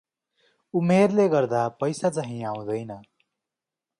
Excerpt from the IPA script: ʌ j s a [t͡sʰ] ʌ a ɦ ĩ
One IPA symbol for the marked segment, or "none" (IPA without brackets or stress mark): t͡s